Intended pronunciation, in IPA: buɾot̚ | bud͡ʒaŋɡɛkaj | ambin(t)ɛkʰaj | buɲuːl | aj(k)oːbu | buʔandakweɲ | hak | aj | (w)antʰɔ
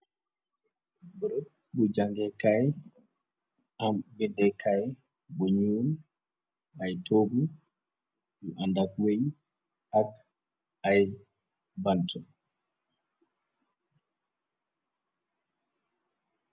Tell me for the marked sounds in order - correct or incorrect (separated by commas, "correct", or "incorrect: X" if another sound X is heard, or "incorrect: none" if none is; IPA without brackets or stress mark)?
incorrect: d, incorrect: t, incorrect: b